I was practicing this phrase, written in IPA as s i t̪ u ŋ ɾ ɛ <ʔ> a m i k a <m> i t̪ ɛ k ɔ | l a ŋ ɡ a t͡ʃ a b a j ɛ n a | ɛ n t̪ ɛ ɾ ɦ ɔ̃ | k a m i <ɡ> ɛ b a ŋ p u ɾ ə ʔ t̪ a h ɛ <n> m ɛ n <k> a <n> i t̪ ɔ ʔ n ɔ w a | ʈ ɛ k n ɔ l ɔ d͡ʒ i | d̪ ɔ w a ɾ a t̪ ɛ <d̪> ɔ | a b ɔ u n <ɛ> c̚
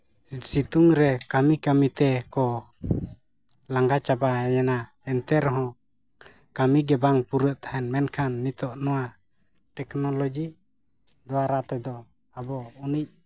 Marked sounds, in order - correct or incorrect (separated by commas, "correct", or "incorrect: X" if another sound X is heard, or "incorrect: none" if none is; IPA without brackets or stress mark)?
incorrect: k, correct, correct, correct, incorrect: kʰ, incorrect: nː, correct, incorrect: i